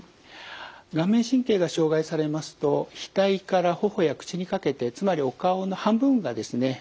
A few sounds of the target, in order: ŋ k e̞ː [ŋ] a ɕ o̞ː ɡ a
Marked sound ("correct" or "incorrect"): incorrect